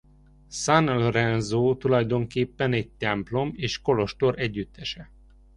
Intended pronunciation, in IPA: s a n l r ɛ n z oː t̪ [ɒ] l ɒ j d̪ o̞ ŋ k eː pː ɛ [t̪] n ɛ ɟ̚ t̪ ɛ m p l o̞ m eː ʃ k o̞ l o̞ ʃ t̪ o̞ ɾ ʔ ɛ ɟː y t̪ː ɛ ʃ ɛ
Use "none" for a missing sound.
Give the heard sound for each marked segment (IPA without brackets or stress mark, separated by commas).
u, none